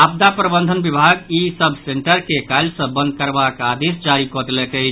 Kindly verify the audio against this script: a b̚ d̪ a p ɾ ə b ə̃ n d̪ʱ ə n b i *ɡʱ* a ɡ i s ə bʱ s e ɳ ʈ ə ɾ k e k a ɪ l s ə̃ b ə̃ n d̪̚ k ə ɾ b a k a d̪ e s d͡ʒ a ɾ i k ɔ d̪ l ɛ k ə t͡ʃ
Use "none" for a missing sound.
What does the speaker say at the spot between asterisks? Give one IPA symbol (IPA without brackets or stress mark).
bʱ